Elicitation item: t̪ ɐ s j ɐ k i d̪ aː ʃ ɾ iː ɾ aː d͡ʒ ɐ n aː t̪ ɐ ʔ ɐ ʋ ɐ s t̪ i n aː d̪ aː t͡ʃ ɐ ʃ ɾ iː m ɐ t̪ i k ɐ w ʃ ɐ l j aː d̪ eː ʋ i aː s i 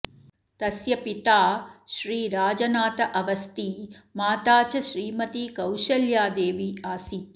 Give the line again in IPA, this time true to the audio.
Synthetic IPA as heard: t̪ ɐ s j ɐ p i t̪ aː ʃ ɾ iː ɾ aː d͡ʒ ɐ n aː t̪ ɐ ʔ ɐ ʋ ɐ s t̪ i m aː t̪ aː t͡ʃ ɐ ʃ ɾ iː m ɐ t̪ i k ɐ w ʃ ɐ l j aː d̪ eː ʋ i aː s i